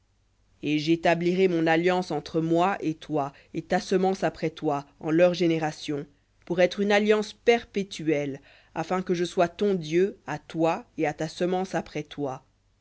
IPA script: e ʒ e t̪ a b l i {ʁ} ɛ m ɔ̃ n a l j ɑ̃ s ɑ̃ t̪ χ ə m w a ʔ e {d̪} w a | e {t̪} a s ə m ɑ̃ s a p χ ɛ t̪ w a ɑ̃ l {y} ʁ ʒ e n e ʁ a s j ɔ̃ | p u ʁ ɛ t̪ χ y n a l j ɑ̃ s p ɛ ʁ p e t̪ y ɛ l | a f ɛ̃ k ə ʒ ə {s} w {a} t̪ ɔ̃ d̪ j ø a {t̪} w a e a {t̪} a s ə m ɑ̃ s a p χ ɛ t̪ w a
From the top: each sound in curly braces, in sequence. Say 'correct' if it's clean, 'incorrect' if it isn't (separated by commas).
correct, incorrect, correct, incorrect, correct, correct, correct, correct